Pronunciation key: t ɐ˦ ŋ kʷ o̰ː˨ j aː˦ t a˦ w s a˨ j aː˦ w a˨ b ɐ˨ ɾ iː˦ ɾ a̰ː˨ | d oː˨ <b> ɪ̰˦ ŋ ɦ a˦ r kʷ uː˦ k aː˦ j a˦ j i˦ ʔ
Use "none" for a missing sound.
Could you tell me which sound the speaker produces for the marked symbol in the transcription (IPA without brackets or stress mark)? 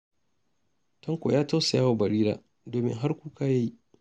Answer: m